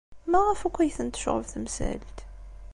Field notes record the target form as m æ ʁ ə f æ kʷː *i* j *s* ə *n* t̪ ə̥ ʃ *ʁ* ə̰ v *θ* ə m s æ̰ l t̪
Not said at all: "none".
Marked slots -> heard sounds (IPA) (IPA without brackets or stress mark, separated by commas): æ, θ, n, ʁ, θ